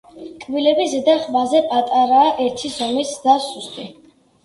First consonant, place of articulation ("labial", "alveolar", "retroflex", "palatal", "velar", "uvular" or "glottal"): velar